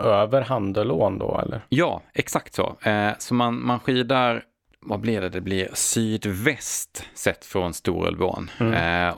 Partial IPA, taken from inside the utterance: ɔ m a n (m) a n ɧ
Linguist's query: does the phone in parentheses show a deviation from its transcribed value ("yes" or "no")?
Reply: no